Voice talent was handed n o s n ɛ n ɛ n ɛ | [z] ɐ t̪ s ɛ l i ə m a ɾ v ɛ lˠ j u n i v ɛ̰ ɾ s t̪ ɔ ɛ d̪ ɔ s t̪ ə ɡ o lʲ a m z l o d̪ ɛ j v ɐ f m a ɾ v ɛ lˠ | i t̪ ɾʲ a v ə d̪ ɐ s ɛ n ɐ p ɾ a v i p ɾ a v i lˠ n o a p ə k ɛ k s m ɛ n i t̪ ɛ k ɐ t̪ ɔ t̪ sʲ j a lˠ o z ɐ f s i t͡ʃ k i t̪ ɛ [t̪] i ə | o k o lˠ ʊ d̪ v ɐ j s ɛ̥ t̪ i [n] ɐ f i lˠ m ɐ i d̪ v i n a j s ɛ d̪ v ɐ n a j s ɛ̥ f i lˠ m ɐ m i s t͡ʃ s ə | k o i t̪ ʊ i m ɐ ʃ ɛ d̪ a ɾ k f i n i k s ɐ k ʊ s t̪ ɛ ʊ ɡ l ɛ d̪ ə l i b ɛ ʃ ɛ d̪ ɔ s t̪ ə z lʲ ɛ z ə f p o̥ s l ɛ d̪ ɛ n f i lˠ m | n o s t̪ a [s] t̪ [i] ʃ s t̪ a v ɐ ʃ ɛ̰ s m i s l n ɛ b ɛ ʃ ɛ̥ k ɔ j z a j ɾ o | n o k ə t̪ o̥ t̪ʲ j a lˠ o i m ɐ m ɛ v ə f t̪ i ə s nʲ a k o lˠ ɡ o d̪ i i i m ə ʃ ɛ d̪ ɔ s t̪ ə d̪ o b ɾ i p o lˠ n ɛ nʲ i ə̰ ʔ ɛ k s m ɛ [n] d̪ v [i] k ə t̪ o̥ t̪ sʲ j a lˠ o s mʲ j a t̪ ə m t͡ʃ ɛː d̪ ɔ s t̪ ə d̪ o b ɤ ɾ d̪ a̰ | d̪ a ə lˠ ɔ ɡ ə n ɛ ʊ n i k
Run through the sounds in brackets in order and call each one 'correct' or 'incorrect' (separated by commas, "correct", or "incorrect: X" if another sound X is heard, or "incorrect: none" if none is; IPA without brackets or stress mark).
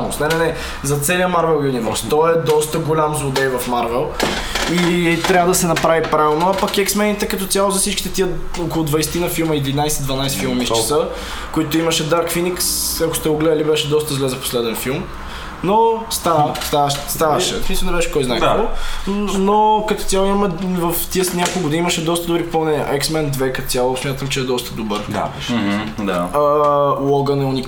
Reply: correct, correct, correct, correct, incorrect: a, correct, incorrect: ɛ